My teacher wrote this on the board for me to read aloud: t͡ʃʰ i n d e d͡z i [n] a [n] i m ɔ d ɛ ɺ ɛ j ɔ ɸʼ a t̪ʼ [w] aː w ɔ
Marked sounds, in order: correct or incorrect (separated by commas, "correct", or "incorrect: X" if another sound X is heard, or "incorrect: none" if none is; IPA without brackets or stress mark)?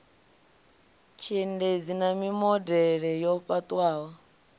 correct, incorrect: m, correct